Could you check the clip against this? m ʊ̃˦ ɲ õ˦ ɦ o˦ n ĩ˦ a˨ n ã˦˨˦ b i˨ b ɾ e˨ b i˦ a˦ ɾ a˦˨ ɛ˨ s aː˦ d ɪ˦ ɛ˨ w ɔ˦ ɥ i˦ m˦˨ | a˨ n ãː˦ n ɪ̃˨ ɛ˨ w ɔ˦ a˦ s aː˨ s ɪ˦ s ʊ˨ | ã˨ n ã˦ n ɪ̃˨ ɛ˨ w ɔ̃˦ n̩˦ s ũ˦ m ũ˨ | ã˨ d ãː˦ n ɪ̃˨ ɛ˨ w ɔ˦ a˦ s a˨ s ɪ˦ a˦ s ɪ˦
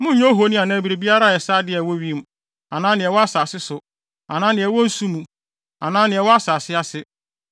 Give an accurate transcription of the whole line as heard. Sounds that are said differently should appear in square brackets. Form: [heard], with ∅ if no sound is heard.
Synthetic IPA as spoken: m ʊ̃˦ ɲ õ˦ ɦ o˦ n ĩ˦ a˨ n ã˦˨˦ b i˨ [∅] ɾ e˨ b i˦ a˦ ɾ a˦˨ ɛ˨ s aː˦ d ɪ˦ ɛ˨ w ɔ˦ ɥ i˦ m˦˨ | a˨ n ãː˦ n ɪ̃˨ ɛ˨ w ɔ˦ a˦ s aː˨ s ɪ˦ s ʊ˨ | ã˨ n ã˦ n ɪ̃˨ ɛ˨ w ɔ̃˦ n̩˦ s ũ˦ m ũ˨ | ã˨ [n] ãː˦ n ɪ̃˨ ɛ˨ w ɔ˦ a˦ s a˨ s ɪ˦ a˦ s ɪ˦

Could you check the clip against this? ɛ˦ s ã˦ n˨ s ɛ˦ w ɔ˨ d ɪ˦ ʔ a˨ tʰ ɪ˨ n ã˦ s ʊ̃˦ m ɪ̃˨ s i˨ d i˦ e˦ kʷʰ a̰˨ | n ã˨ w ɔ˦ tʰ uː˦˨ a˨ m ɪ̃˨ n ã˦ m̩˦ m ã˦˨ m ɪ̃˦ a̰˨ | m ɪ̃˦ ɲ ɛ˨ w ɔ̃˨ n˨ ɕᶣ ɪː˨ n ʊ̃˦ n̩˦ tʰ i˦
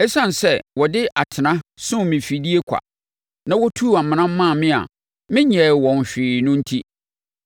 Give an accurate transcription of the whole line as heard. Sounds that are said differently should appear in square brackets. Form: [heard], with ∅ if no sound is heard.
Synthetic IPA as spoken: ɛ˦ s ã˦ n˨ s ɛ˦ w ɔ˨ d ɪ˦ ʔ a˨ tʰ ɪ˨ n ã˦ s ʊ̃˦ m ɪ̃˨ [f] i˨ d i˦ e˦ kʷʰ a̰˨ | n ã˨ w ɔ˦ tʰ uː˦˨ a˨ m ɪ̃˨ n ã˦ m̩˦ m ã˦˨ m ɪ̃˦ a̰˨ | m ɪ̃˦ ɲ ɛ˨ w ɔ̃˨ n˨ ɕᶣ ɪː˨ n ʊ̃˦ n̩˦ tʰ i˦

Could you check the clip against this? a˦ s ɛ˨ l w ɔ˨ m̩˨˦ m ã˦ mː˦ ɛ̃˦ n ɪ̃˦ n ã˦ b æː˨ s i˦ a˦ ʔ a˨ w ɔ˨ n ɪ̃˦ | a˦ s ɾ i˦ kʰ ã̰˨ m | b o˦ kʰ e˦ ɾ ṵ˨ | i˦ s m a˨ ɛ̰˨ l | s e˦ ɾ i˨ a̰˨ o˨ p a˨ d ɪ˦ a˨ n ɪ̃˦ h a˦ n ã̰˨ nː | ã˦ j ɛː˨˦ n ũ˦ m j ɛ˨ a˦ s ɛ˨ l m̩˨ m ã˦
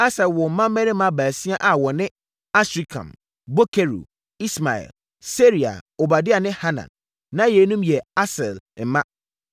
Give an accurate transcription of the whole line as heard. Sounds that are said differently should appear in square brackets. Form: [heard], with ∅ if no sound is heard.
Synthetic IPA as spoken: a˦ s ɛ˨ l w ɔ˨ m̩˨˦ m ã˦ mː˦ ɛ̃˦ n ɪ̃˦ [m] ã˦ b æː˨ s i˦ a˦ ʔ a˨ w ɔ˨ n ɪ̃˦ | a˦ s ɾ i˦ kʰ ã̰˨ m | b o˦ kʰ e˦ ɾ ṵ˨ | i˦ s m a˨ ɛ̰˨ l | s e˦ ɾ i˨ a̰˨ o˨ [b] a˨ d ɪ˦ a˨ n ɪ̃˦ h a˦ n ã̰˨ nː | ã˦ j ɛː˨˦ n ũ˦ m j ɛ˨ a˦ s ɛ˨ l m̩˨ m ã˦

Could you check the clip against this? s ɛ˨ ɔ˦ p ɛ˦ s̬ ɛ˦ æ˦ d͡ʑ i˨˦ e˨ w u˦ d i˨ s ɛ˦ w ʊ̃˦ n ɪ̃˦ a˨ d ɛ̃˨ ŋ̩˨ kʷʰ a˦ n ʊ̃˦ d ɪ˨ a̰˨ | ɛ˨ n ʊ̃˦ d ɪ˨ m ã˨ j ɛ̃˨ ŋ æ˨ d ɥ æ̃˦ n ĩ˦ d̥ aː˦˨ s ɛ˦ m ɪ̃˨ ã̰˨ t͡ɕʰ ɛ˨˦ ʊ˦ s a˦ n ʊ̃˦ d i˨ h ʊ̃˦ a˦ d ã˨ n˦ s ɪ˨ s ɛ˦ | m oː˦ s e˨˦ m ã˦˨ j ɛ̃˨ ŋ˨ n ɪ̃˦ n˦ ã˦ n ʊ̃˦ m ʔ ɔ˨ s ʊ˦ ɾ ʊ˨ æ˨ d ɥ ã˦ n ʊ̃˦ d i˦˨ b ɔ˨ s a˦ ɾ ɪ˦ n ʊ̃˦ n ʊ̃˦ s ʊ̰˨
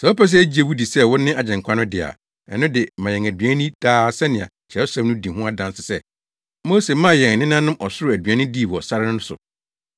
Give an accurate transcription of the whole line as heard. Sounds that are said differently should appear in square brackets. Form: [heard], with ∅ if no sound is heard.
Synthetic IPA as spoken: s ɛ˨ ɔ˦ p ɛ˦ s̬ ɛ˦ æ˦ d͡ʑ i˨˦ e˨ w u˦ d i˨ s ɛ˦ w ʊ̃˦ n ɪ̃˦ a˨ [d͡ʑ] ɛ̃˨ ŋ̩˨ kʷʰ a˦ n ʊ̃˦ d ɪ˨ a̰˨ | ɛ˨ n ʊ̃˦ d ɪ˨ m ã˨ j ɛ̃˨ ŋ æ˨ d ɥ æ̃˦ n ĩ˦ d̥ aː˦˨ s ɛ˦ [n] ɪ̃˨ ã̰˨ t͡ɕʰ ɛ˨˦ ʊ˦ s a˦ n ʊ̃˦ d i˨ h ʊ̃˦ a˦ d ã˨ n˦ s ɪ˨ s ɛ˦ | m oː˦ s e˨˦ m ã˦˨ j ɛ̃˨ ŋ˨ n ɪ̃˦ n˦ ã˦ n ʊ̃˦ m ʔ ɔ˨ s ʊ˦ ɾ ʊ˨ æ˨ d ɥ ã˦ n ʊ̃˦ d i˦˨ [w] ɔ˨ s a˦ ɾ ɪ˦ n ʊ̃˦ n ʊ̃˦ s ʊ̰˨

